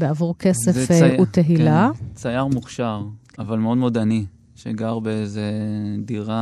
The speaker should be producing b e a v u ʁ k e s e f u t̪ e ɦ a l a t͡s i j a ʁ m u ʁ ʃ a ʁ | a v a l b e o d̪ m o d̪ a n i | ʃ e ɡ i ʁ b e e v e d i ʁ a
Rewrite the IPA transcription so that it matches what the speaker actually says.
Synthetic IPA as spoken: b e a v u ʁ k e s e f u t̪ e ɦ i l a t͡s a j a ʁ m u χ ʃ a ʁ | a v a l m e o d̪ m o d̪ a n i | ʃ e ɡ a ʁ b e e z e d i ʁ a